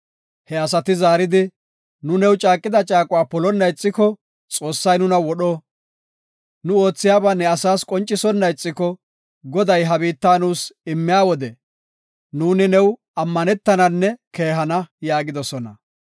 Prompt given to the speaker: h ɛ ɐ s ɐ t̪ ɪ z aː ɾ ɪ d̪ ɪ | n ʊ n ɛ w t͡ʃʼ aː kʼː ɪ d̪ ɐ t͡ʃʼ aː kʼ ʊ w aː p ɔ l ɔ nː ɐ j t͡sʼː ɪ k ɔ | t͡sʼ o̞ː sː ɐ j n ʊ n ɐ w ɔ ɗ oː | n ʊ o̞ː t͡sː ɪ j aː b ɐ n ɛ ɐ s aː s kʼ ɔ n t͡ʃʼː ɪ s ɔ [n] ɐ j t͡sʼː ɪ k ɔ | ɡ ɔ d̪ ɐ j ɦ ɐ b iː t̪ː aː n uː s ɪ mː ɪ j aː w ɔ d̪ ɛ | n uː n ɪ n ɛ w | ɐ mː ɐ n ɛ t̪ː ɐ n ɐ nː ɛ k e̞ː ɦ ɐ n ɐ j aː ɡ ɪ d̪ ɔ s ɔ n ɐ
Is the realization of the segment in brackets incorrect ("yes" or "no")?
yes